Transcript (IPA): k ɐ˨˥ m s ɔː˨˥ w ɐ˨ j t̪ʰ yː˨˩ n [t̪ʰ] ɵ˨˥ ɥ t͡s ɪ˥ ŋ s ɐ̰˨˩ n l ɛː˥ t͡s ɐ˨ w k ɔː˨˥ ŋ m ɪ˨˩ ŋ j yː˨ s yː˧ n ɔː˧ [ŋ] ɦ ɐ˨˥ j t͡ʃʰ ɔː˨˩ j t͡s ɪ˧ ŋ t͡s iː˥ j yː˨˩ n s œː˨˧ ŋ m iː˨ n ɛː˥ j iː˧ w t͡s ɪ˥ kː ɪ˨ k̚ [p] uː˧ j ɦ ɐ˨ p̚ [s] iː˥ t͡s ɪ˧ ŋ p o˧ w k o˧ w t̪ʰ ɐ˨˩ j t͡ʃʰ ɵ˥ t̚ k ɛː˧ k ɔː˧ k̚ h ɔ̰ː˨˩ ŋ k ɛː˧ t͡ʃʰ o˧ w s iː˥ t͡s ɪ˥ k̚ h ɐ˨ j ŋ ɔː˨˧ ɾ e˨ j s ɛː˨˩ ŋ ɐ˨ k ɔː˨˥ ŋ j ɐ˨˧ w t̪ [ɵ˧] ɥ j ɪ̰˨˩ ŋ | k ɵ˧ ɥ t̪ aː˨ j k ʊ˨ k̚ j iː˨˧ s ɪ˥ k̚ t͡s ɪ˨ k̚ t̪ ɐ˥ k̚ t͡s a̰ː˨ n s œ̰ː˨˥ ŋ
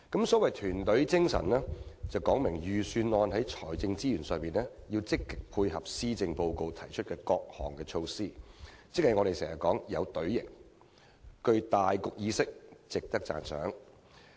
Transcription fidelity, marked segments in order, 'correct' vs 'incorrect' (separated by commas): incorrect, incorrect, incorrect, correct, incorrect